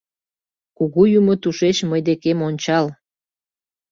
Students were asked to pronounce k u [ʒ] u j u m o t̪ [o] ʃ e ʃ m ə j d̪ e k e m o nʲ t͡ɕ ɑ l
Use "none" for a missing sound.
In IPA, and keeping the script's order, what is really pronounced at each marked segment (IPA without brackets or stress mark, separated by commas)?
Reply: ɣ, u